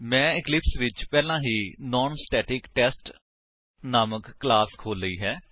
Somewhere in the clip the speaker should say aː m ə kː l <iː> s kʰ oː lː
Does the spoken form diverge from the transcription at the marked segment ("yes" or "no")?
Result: yes